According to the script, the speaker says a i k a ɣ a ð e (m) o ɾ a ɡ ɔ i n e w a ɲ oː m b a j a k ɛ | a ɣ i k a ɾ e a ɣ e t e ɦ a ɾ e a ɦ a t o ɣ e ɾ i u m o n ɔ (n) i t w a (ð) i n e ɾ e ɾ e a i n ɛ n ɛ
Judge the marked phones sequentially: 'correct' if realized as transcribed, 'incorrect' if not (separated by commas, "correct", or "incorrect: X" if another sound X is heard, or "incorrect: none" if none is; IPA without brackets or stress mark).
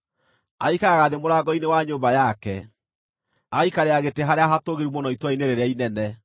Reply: correct, incorrect: none, incorrect: none